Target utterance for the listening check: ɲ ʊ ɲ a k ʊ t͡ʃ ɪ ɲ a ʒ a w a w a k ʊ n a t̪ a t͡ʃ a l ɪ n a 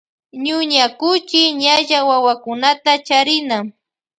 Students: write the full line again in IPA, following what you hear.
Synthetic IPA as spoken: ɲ ʊ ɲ a k ʊ t͡ʃ ɪ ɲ a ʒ a w a w a k ʊ n a t̪ a t͡ʃ a ɾ ɪ n a